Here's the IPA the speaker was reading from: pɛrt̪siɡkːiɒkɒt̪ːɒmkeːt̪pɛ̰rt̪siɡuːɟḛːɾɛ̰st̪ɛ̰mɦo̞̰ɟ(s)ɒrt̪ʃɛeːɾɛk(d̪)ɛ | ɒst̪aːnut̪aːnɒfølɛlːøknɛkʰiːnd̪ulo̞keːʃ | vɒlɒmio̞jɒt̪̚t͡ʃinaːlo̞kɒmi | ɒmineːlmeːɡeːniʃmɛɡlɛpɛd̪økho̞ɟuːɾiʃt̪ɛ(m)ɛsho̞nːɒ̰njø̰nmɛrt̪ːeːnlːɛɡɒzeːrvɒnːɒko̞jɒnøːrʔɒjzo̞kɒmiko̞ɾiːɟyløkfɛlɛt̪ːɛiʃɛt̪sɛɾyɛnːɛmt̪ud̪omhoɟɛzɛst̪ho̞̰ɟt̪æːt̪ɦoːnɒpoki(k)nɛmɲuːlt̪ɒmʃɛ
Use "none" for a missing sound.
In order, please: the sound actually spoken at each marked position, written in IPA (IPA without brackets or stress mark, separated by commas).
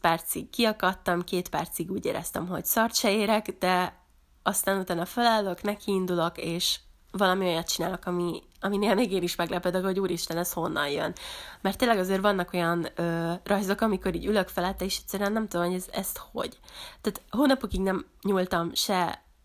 s, d̪, n, ɡ